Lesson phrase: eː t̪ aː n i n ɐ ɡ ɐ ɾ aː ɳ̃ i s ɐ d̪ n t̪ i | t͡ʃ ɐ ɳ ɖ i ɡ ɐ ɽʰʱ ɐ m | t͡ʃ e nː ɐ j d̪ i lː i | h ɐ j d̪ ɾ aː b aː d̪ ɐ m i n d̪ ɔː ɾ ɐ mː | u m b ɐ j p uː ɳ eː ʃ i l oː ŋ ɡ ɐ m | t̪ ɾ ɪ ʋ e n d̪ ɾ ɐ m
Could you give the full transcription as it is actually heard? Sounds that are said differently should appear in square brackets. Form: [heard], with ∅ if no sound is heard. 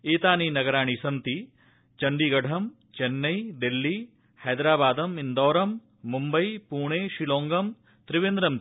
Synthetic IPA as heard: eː t̪ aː n i n ɐ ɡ ɐ ɾ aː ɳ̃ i s ɐ [∅] n t̪ i | t͡ʃ ɐ ɳ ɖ i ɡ ɐ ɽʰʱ ɐ m | t͡ʃ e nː ɐ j d̪ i lː i | h ɐ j d̪ ɾ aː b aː d̪ ɐ m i n d̪ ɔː ɾ ɐ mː | u m b ɐ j p uː ɳ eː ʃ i l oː ŋ ɡ ɐ m | t̪ ɾ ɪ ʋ e n d̪ ɾ ɐ m